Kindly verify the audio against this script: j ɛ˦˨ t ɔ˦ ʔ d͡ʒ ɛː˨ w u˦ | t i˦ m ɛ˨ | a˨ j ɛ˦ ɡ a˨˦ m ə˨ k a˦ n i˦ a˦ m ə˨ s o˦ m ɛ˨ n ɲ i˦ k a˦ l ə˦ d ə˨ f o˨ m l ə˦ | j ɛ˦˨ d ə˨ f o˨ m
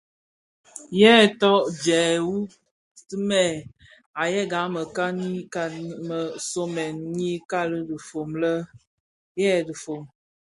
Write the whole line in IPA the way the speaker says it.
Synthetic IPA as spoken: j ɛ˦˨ t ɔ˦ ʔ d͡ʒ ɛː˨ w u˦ | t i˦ m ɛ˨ | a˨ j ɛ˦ ɡ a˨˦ m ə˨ k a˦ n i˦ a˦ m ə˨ s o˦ m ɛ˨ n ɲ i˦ k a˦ l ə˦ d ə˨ f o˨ m l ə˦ | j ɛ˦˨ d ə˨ f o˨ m

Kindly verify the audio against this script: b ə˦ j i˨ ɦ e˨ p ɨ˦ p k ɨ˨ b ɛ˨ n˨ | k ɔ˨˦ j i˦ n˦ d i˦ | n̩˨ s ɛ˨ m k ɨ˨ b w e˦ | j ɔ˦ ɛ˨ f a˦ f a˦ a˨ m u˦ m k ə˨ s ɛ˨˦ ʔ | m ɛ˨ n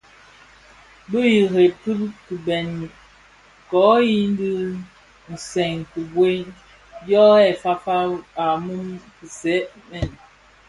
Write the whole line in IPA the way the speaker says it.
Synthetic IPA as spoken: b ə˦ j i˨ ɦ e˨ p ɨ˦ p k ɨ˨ b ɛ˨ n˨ | k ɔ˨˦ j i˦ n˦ d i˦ | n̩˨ s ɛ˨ ŋ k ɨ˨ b w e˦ | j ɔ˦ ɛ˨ f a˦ f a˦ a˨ m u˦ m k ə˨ s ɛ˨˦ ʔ | m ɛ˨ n

